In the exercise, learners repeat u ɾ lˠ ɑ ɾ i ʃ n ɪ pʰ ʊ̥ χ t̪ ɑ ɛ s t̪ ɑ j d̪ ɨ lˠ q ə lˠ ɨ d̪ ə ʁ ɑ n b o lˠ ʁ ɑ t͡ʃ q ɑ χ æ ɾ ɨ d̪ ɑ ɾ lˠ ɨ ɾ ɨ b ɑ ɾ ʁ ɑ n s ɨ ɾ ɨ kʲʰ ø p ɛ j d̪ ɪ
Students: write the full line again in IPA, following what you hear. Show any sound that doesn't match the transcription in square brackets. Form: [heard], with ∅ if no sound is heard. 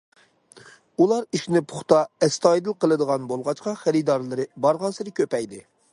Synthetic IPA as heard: u [∅] lˠ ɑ ɾ i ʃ n ɪ pʰ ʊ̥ χ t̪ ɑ ɛ s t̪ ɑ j d̪ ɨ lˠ q ə lˠ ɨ d̪ ə ʁ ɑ n b o lˠ ʁ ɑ t͡ʃ q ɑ χ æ ɾ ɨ d̪ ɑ ɾ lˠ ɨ ɾ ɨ b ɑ ɾ ʁ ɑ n s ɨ ɾ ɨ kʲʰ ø p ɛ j d̪ ɪ